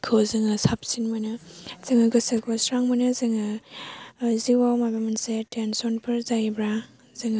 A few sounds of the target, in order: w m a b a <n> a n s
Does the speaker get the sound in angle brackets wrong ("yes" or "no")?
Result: yes